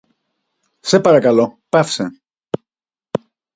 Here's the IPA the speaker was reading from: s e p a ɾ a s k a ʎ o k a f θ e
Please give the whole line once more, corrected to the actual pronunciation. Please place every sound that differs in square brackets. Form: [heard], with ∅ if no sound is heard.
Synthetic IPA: s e p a ɾ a [∅] k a [l] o [p] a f [s] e